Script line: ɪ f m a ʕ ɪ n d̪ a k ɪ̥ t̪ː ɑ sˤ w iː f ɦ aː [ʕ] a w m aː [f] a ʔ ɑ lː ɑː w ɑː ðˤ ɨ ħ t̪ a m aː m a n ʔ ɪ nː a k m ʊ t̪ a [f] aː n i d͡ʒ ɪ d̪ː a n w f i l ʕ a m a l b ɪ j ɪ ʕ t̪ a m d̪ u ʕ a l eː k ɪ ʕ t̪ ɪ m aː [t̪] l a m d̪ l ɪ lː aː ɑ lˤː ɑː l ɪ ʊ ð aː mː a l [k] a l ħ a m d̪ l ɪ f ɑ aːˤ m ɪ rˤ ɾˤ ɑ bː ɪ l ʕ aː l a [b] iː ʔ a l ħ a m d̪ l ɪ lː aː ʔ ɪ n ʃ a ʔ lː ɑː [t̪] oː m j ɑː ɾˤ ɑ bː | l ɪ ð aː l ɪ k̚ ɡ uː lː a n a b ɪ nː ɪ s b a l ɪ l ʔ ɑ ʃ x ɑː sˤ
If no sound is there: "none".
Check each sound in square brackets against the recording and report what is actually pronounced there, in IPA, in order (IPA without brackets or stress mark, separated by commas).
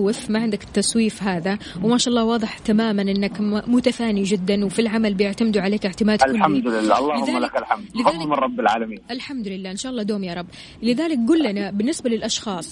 ð, ʃ, f, d̪, k, m, d̪